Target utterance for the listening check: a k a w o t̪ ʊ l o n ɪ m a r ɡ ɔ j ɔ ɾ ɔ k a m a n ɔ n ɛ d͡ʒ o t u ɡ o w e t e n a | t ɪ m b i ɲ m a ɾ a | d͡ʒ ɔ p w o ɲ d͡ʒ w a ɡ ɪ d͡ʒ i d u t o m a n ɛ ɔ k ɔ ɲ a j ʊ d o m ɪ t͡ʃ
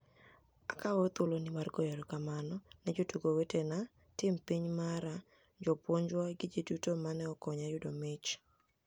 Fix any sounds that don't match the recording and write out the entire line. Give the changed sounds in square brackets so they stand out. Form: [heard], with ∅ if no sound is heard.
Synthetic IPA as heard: a k a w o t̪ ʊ l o n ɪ m a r ɡ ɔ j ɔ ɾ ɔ k a m a n ɔ n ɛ d͡ʒ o t u ɡ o w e t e n a | t ɪ m [p] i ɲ m a ɾ a | d͡ʒ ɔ p w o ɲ d͡ʒ w a ɡ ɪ d͡ʒ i d u t o m a n ɛ ɔ k ɔ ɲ a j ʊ d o m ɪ t͡ʃ